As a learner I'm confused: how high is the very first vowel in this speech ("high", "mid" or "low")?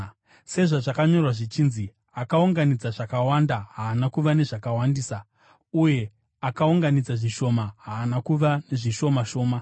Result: mid